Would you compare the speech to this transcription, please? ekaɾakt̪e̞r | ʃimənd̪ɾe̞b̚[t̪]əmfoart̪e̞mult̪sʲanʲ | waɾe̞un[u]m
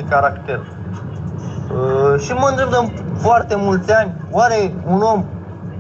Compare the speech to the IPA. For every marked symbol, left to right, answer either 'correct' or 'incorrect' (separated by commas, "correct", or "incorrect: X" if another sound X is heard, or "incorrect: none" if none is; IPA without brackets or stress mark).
incorrect: d̪, incorrect: o